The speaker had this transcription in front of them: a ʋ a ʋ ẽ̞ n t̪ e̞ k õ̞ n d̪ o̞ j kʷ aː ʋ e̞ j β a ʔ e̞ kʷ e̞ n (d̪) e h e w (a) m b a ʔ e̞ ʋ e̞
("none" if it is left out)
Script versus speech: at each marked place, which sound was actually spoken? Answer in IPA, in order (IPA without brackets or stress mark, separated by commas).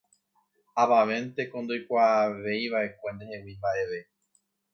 d̪, i